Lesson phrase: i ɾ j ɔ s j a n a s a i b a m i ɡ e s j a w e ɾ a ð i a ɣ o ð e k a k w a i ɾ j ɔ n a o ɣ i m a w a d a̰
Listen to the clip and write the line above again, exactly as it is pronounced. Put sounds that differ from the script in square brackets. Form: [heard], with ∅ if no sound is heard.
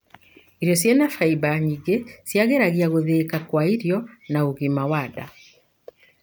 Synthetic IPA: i ɾ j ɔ s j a n a [f] a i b a [ɲ] i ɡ e s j a [ɣ] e ɾ a [ɣ] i a ɣ o ð e k a k w a i ɾ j ɔ n a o ɣ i m a w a d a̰